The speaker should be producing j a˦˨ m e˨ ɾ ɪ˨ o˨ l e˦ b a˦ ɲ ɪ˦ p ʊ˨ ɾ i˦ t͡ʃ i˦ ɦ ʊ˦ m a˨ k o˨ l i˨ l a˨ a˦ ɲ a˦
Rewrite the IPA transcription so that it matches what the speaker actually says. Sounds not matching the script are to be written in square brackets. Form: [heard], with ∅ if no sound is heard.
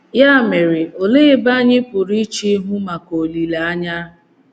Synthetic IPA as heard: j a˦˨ m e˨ ɾ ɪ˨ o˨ l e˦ b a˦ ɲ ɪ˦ p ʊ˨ ɾ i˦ t͡ʃ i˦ ɦ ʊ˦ m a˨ k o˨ l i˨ l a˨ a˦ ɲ a˦